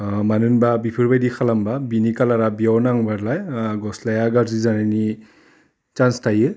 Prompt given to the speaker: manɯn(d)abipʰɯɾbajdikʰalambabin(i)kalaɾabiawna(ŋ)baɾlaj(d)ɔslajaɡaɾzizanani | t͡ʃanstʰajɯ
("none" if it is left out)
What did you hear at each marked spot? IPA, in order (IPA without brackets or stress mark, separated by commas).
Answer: b, i, ŋ, ɡ